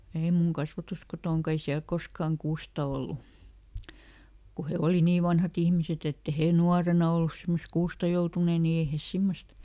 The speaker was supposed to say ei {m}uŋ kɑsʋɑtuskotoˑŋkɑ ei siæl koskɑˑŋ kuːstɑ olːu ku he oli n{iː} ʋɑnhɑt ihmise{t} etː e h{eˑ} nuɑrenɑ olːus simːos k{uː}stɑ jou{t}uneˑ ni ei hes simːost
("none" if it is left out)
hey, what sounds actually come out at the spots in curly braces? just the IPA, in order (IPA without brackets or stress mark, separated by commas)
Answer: m, iː, t, eˑ, uː, t